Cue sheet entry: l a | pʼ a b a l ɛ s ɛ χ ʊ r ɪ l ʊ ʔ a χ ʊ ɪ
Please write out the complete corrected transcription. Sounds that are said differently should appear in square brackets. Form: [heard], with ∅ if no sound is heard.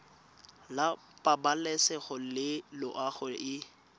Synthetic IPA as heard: l a | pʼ a b a l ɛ s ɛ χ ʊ [l] ɪ l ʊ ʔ a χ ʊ ɪ